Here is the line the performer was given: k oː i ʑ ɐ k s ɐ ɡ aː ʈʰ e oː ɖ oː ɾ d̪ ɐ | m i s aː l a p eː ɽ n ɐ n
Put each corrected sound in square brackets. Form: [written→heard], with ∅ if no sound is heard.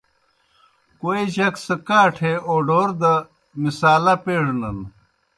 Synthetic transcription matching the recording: k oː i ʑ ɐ k s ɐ [ɡ→k] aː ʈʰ e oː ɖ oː ɾ d̪ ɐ | m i s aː l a p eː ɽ n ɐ n